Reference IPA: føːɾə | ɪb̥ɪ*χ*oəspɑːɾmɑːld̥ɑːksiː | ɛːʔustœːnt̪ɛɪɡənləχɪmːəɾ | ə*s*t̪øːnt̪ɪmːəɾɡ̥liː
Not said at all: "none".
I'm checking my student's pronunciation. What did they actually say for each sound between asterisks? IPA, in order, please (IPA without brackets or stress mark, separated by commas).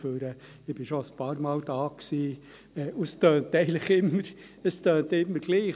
ʃ, s